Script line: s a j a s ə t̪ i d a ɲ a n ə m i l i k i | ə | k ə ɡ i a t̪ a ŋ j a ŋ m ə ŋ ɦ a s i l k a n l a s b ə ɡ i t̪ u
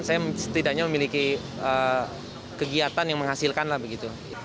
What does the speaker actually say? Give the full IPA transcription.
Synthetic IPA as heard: s a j a s ə t̪ i d a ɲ a m ə m i l i k i | ə | k ə ɡ i a t̪ a n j a ŋ m ə ŋ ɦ a s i l k a n l a h b ə ɡ i t̪ u